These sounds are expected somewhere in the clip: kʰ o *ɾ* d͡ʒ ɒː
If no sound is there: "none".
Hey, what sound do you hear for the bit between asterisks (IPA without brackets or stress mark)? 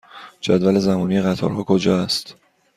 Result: none